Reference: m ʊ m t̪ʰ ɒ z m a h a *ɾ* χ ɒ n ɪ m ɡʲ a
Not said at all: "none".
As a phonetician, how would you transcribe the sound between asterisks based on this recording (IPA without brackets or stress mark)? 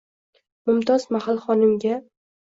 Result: l